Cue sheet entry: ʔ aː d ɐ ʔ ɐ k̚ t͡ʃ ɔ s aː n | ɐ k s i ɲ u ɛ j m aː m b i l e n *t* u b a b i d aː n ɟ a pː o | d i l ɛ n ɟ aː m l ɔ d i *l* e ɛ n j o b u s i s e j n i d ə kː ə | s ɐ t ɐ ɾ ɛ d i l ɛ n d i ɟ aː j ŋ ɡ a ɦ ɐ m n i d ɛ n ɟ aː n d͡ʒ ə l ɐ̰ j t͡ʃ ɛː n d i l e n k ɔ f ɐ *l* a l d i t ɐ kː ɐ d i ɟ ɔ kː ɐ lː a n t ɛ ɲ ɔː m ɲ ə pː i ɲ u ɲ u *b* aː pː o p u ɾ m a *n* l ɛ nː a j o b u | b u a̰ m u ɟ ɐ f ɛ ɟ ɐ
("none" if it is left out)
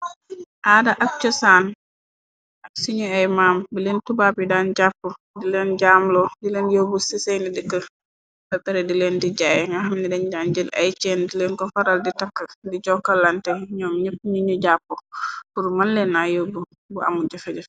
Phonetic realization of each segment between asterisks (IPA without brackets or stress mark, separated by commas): t, l, ɾ, ɟ, n